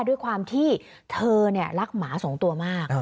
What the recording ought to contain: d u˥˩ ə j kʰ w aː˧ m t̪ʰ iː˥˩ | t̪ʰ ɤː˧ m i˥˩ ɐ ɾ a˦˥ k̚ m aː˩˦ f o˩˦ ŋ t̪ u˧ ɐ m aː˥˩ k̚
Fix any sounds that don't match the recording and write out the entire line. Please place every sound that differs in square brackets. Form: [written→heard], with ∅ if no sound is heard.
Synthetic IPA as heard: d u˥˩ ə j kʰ w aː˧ m t̪ʰ iː˥˩ | t̪ʰ ɤː˧ [m→n] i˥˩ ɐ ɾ a˦˥ k̚ m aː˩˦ [f→s] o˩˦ ŋ t̪ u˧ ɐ m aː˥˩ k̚